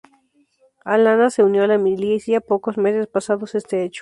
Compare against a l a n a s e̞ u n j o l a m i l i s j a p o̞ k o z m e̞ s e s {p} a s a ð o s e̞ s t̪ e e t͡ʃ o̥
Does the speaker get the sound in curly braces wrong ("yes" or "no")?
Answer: no